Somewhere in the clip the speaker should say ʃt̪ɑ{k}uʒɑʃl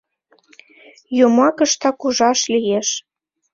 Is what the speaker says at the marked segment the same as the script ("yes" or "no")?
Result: yes